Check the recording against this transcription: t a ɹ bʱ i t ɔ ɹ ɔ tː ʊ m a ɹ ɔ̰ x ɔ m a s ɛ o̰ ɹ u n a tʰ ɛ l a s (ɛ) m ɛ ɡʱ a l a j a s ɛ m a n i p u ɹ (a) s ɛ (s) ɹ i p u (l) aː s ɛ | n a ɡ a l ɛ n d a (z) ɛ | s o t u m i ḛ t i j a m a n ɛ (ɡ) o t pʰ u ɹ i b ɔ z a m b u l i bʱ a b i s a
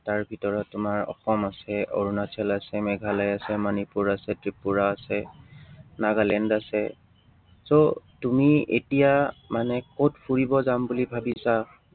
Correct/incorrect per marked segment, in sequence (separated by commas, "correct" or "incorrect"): correct, correct, incorrect, incorrect, incorrect, incorrect